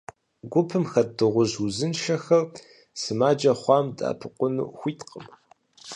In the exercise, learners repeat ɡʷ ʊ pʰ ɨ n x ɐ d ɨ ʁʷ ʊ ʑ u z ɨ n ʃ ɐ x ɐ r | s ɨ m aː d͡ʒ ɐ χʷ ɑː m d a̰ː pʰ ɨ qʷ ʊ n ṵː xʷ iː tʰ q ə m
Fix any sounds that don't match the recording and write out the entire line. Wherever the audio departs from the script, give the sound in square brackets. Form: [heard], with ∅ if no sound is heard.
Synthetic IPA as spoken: ɡʷ ʊ pʰ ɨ [m] x ɐ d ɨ ʁʷ ʊ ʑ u z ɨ n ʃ ɐ x ɐ r | s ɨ m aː d͡ʒ ɐ χʷ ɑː m d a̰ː pʰ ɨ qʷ ʊ n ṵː xʷ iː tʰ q ə m